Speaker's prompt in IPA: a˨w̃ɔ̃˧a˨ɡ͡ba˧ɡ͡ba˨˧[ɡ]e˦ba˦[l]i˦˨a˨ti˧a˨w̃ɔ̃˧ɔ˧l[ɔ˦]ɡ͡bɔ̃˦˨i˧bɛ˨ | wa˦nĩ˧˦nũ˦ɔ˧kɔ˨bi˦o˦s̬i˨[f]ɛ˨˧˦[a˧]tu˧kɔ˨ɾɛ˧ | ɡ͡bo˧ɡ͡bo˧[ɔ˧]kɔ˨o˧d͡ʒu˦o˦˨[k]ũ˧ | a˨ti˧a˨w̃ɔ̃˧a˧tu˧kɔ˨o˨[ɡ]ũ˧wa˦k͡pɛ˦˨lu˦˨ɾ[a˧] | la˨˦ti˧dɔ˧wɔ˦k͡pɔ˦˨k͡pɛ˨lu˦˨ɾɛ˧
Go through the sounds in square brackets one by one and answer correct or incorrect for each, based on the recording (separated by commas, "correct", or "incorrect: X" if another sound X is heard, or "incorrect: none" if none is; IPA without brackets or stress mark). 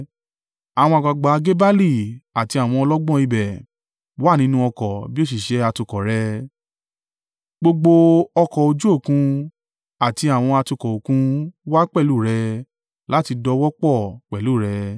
correct, correct, correct, incorrect: ʃ, correct, correct, correct, incorrect: k, incorrect: ɛ˧